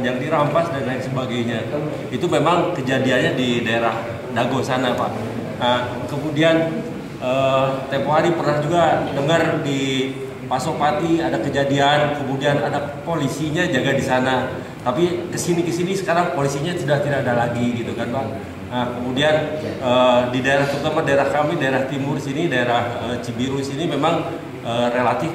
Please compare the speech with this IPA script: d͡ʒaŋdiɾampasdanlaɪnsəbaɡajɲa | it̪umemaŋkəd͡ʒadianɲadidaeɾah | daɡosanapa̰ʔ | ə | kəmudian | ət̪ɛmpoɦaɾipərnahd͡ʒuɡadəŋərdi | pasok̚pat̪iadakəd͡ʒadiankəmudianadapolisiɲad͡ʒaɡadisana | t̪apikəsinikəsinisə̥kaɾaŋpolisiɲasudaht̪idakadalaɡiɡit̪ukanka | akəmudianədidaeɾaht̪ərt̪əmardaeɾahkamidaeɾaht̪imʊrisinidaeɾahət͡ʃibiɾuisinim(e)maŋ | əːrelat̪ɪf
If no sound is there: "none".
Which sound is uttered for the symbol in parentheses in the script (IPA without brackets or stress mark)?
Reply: e